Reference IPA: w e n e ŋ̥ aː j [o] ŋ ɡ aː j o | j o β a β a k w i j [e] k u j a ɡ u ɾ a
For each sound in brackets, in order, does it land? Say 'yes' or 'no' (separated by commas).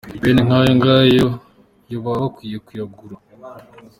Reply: yes, yes